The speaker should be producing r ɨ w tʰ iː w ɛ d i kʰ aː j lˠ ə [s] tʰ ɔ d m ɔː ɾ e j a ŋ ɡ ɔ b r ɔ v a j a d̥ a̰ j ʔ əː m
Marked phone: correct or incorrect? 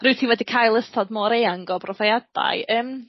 correct